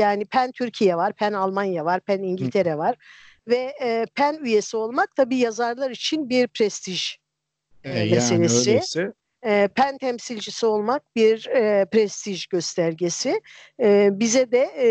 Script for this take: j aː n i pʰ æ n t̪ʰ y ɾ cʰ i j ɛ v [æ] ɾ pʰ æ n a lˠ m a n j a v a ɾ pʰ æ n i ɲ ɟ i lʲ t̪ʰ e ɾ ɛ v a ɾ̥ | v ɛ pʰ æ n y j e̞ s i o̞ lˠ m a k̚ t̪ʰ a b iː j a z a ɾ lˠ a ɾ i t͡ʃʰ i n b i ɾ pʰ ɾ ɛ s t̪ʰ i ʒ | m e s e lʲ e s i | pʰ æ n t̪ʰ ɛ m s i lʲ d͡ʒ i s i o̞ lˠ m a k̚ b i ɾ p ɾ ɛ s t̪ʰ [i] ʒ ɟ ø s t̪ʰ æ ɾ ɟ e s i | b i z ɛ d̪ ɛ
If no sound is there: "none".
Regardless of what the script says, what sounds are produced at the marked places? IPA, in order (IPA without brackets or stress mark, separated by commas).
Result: a, i